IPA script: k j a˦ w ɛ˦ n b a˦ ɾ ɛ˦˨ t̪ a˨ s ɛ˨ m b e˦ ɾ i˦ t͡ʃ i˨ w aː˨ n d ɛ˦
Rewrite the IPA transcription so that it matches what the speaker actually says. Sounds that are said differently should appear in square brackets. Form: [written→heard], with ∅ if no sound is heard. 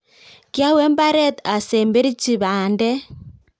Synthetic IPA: k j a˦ w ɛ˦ [n→m] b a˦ ɾ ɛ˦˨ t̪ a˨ s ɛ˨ m b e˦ ɾ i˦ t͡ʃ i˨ [w→β] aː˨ n d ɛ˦